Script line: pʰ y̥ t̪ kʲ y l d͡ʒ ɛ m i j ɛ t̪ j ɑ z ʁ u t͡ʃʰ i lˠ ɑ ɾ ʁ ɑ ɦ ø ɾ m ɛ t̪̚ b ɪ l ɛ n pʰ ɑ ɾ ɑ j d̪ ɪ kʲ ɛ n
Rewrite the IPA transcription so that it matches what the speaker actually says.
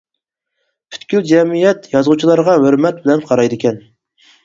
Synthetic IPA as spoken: pʰ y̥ t̪ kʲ y l d͡ʒ ɛ m i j ɛ t̪ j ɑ z ʁ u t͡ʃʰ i lˠ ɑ ɾ ʁ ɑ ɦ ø ɾ m ɛ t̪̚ b ɪ l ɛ n qʰ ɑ ɾ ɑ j d̪ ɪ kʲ ɛ n